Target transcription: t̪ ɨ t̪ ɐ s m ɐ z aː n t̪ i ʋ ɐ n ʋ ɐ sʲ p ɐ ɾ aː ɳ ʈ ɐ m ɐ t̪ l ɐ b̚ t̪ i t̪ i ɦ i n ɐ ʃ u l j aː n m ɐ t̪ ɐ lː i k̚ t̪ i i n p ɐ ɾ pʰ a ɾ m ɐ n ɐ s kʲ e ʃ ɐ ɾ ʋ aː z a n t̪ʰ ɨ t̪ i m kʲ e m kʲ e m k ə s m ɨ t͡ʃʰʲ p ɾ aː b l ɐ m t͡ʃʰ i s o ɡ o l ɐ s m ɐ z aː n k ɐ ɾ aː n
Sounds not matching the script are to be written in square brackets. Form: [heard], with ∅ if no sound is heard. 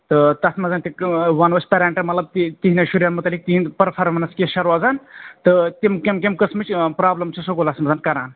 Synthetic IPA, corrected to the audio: t̪ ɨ t̪ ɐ s m ɐ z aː n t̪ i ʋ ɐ n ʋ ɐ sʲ p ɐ ɾ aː ɳ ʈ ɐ m ɐ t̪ l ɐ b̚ t̪ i t̪ i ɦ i n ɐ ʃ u [ɾ] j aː n m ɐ t̪ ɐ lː i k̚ t̪ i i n p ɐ ɾ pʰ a ɾ m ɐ n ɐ s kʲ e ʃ ɐ ɾ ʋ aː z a n [t̪] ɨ t̪ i m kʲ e m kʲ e m k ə s m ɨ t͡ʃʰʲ p ɾ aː b l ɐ m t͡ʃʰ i s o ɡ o l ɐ s m ɐ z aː n k ɐ ɾ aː n